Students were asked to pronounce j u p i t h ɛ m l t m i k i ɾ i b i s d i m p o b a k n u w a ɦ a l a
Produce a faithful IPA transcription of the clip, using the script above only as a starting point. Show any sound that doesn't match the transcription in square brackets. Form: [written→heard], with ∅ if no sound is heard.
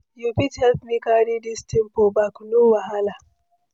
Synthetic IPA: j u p i t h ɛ [m→∅] l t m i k [i→a] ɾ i [b→d] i s [d→t] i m p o b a k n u w a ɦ a l a